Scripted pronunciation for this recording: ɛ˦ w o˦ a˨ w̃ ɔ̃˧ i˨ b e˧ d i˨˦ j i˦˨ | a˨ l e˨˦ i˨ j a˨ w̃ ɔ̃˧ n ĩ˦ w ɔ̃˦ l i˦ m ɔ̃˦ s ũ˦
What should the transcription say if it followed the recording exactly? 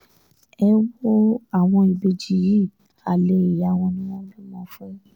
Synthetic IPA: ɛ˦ w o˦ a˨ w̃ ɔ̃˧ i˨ b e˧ d͡ʒ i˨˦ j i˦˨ | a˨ l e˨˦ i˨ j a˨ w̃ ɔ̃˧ n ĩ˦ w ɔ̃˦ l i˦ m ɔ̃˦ f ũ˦